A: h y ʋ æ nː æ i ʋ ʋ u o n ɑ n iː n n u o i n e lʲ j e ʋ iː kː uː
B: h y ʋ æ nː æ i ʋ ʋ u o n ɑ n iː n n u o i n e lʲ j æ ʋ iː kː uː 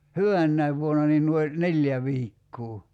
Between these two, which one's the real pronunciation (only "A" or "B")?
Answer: B